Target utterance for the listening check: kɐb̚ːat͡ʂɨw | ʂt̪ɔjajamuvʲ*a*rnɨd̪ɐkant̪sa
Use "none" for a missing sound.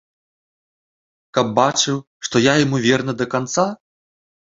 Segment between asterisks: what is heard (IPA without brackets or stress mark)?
ɛ